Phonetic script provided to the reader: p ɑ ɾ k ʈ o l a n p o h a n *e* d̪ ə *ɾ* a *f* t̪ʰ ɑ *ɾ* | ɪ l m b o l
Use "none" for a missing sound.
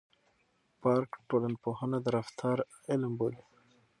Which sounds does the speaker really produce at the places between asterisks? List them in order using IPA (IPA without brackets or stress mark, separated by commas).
a, ɾ, f, ɾ